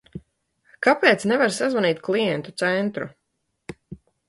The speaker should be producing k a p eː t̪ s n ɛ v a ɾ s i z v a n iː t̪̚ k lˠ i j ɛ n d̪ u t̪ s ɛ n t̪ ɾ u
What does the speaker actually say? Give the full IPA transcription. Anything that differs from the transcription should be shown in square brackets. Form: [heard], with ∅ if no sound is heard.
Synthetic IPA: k a p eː t̪ s n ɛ v a ɾ s [a] z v a n iː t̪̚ k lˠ i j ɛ n [t̪] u t̪ s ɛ n t̪ ɾ u